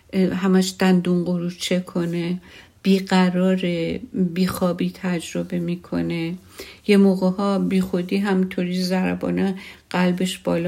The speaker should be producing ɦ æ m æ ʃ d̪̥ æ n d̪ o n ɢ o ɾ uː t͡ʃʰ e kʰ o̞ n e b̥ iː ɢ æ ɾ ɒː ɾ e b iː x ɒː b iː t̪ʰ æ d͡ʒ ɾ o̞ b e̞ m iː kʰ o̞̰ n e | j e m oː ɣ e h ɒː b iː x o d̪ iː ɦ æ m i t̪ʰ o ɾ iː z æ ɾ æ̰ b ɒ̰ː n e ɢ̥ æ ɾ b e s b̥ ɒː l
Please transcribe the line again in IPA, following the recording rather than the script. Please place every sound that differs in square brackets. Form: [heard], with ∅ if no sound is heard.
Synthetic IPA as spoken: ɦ æ m æ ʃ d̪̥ æ n d̪ [u] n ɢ o ɾ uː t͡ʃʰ e kʰ o̞ n e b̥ iː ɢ æ ɾ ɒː ɾ e b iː x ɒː b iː t̪ʰ æ d͡ʒ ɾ o̞ b e̞ m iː kʰ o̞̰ n e | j e m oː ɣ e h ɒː b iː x o d̪ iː ɦ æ m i t̪ʰ o ɾ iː z æ ɾ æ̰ b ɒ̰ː n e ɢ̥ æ [l] b e [ʃ] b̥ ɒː l